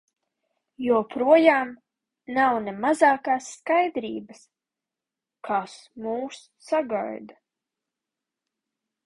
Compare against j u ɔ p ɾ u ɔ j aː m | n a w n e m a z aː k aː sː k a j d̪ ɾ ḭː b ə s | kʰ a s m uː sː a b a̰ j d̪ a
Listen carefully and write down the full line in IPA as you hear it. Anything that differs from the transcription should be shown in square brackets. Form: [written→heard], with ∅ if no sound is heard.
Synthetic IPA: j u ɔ p ɾ u ɔ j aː m | n a w n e m a z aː k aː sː k a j d̪ ɾ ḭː b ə s | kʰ a s m uː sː a [b→ɡ] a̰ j d̪ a